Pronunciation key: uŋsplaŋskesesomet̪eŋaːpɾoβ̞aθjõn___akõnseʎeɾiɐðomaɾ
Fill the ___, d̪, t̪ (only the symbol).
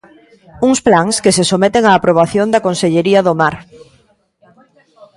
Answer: d̪